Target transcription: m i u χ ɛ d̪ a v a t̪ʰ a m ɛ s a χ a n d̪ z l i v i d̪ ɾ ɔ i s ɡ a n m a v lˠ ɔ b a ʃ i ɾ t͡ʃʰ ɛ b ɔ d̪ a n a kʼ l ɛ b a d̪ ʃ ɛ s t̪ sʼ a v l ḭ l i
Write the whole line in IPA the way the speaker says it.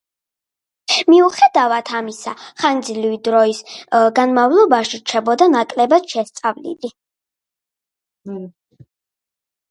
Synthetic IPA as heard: m i u χ ɛ d̪ a v a t̪ʰ a m i s a χ a n d̪ z l i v i d̪ ɾ ɔ i s ɡ a n m a v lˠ ɔ b a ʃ i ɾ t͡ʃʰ ɛ b ɔ d̪ a n a kʼ l ɛ b a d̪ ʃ ɛ s t̪ sʼ a v l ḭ l i